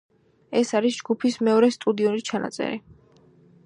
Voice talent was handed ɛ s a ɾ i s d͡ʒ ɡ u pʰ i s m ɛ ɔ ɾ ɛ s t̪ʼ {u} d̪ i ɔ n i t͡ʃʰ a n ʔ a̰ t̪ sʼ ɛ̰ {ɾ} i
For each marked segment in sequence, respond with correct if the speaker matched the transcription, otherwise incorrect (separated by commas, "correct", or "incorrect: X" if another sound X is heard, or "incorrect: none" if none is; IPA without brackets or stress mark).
correct, correct